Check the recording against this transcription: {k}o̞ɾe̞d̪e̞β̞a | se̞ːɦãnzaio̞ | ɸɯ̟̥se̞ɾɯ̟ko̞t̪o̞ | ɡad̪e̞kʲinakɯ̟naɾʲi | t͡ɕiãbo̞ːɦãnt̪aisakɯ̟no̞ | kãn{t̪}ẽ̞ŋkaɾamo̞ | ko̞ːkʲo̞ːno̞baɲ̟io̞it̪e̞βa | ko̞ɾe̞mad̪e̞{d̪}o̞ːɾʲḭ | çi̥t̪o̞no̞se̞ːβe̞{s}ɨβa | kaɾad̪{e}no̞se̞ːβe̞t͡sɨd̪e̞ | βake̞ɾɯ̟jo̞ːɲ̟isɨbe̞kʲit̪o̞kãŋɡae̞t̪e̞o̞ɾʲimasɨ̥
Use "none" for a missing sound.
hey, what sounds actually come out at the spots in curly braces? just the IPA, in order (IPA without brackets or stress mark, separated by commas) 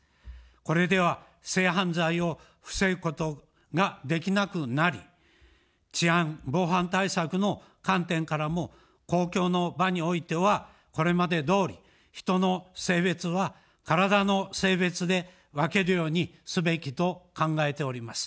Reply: k, t̪, d̪, t͡s, a